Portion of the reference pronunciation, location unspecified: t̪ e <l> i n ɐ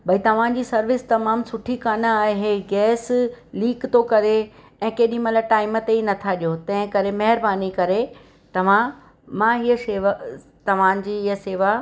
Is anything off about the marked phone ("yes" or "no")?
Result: yes